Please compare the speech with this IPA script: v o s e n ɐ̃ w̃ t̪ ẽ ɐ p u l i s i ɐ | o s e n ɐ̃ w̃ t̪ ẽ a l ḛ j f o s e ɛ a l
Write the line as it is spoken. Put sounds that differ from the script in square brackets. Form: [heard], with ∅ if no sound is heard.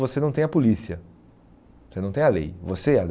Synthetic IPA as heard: v o s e n ɐ̃ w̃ t̪ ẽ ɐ p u l i s i ɐ | o s e n ɐ̃ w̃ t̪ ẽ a l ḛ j [v] o s e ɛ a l